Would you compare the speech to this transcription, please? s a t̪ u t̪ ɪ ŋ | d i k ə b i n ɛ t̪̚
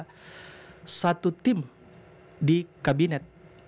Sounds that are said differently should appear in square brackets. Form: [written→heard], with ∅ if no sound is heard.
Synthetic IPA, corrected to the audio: s a t̪ u t̪ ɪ [ŋ→m] | d i k [ə→a] b i n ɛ t̪̚